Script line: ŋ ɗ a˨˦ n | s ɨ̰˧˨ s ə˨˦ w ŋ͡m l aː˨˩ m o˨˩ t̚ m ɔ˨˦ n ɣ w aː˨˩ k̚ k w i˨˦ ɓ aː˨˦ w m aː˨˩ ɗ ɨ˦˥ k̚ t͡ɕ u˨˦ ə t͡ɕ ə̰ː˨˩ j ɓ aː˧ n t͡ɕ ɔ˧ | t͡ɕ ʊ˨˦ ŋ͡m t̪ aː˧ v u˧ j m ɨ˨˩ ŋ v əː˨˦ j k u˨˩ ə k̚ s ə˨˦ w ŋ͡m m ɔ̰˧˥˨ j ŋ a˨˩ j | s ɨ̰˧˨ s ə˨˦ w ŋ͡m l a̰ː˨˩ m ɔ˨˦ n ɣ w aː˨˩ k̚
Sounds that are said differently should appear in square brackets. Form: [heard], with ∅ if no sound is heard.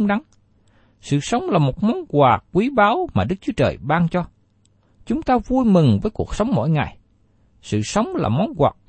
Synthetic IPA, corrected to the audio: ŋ ɗ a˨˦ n | s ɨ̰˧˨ s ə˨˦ w ŋ͡m l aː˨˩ m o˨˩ t̚ m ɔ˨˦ n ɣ w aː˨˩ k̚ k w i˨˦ ɓ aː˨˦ w m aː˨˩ ɗ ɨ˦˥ k̚ t͡ɕ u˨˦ ə t͡ɕ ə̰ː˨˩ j ɓ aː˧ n t͡ɕ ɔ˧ | t͡ɕ ʊ˨˦ ŋ͡m t̪ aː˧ v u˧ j m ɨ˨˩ ŋ v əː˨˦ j k u˨˩ ə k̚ s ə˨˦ w ŋ͡m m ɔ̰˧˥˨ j ŋ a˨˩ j | s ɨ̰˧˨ s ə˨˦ w ŋ͡m l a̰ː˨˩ m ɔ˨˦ n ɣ w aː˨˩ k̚